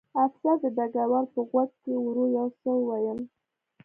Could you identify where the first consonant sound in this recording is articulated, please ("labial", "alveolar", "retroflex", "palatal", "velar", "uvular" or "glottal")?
labial